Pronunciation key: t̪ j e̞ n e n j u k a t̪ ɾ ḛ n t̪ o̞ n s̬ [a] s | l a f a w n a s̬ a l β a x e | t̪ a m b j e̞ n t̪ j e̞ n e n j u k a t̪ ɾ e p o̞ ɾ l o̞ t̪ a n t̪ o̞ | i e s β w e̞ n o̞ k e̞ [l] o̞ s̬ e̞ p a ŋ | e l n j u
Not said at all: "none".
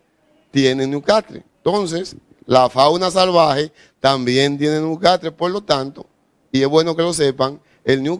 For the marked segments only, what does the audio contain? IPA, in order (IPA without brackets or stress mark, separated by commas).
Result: e, l